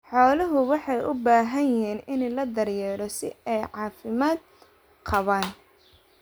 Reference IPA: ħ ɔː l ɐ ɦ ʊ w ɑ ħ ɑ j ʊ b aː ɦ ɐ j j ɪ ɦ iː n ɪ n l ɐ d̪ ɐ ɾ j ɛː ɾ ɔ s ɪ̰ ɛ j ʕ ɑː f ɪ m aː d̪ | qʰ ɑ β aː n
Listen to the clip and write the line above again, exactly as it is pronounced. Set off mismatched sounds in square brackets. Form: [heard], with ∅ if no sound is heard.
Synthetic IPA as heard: ħ ɔː l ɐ ɦ ʊ w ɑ ħ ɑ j ʊ b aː ɦ ɐ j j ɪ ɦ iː n ɪ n l ɐ d̪ ɐ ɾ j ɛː ɾ ɔ s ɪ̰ ɛ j ʕ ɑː f ɪ m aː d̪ | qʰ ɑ β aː n